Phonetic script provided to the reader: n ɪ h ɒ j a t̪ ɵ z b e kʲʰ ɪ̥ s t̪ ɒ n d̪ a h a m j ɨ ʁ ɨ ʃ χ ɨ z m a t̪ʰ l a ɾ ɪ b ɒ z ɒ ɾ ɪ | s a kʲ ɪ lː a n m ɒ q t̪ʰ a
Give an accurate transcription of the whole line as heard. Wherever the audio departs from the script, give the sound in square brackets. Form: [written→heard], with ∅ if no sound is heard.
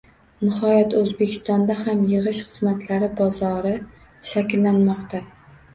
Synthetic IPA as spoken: n ɪ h ɒ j a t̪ ɵ z b e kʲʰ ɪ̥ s t̪ ɒ n d̪ a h a m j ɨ ʁ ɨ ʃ χ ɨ z m a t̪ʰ l a ɾ ɪ b ɒ z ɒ ɾ ɪ | [s→ʃ] a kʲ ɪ lː a n m ɒ q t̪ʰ a

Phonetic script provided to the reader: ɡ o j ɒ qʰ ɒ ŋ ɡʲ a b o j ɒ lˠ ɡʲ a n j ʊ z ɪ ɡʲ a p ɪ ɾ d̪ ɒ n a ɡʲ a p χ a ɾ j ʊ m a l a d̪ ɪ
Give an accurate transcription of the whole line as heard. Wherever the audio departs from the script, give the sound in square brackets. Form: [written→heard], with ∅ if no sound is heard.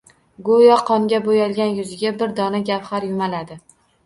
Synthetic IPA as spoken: ɡ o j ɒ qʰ ɒ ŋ ɡʲ a b o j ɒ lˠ ɡʲ a n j ʊ z ɪ ɡʲ a [p→b] ɪ ɾ d̪ ɒ n a ɡʲ a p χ a ɾ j ʊ m a l a d̪ ɪ

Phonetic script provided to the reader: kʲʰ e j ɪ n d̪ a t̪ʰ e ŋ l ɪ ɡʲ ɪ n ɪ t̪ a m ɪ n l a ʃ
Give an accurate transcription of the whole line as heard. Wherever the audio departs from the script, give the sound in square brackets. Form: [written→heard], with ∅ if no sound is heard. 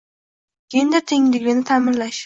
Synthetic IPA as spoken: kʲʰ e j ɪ n d̪ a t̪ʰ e ŋ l ɪ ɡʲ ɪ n ɪ [t̪→t̪ʰ] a m ɪ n l a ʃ

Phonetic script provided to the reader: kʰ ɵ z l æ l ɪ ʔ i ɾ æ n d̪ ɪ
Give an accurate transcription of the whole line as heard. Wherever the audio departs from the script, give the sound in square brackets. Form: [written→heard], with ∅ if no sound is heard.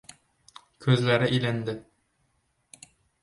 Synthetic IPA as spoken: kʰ ɵ z l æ [l→ɾ] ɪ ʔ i [ɾ→l] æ n d̪ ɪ

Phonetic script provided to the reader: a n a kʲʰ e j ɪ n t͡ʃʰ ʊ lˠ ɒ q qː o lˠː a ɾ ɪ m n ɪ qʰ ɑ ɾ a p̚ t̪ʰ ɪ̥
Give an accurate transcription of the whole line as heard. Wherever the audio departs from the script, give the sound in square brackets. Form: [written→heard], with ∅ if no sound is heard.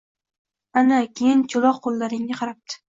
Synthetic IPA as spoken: a n a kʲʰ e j ɪ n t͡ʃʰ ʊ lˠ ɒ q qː o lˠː a ɾ ɪ [m→ŋ] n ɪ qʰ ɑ ɾ a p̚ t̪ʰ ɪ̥

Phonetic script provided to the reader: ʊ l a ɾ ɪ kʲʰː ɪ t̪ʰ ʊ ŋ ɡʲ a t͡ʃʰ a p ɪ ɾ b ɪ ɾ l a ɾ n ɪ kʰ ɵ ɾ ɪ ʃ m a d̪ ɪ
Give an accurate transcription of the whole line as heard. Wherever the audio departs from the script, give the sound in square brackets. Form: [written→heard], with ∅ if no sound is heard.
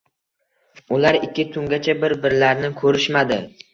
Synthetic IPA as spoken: ʊ l a ɾ ɪ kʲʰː ɪ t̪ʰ ʊ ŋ ɡʲ a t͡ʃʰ a [p→b] ɪ ɾ b ɪ ɾ l a ɾ n ɪ kʰ ɵ ɾ ɪ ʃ m a d̪ ɪ

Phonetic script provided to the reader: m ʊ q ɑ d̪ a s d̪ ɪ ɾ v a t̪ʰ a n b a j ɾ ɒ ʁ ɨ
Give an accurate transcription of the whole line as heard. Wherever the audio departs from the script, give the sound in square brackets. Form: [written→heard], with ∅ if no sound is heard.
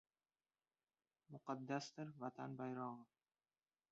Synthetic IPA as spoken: m ʊ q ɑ [d̪→d̪ː] a s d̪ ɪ ɾ v a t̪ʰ a n b a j ɾ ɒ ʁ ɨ

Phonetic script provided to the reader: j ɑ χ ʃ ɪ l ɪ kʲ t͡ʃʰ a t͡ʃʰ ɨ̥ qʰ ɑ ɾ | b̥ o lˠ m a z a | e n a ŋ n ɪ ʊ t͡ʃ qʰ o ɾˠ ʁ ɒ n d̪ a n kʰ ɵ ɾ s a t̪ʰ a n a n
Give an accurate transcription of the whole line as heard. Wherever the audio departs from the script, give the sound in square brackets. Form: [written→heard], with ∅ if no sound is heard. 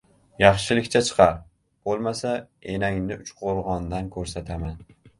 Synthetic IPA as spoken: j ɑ χ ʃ ɪ l ɪ kʲ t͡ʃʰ a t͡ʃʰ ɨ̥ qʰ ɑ ɾ | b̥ o lˠ m a [z→s] a | e n a ŋ n ɪ ʊ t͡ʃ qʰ o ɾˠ ʁ ɒ n d̪ a n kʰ ɵ ɾ s a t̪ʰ a [n→m] a n

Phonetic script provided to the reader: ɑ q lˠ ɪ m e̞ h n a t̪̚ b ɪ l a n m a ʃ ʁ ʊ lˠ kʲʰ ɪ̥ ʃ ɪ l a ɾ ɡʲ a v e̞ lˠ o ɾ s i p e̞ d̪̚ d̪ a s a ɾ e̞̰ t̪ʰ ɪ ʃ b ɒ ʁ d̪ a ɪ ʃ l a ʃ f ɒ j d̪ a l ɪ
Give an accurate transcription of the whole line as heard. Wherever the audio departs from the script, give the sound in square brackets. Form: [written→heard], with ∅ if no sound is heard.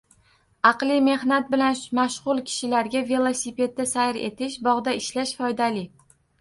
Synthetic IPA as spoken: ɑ q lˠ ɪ m e̞ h n a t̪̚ b ɪ l a n m a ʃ ʁ ʊ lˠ kʲʰ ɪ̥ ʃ ɪ l a ɾ ɡʲ a v e̞ lˠ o [ɾ→∅] s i p e̞ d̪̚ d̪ a s a ɾ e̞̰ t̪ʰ ɪ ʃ b ɒ ʁ d̪ a ɪ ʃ l a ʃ f ɒ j d̪ a l ɪ

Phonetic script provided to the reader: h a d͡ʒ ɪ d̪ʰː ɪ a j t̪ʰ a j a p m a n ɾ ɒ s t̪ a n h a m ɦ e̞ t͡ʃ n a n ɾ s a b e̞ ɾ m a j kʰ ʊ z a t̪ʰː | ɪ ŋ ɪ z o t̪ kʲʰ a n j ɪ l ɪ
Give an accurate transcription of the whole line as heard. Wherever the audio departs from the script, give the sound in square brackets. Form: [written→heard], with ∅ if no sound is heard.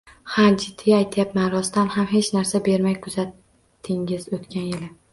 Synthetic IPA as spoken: h a d͡ʒ ɪ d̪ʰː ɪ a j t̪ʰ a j a p m a n ɾ ɒ s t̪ a n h a m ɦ e̞ t͡ʃ n a [n→∅] ɾ s a b e̞ ɾ m a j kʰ ʊ z a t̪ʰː | ɪ ŋ ɪ z o t̪ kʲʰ a n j ɪ l ɪ

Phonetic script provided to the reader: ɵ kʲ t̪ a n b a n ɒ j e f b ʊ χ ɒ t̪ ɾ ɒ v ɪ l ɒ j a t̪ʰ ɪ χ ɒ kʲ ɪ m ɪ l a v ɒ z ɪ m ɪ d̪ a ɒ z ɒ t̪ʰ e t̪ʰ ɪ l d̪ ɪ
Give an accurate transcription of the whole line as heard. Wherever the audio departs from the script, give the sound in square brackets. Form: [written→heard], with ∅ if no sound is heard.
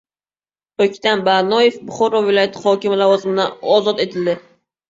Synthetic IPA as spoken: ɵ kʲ t̪ a n b a n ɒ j e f b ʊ χ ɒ [t̪→∅] ɾ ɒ v ɪ l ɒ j a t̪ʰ ɪ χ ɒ kʲ ɪ m ɪ l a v ɒ z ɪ m ɪ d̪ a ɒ z ɒ [t̪ʰ→t̪] e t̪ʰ ɪ l d̪ ɪ

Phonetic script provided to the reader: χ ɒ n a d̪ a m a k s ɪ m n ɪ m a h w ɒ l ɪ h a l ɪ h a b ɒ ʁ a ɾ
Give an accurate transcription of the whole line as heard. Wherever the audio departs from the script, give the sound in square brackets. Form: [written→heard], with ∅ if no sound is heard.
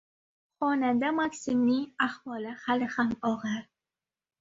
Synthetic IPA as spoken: χ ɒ n a d̪ a m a k s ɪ m n ɪ [m→ŋ] a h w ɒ l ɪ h a l ɪ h a [b→m] ɒ ʁ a ɾ

